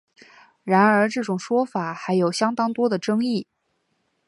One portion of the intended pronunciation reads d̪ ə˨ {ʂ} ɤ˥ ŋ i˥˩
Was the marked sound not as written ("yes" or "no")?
yes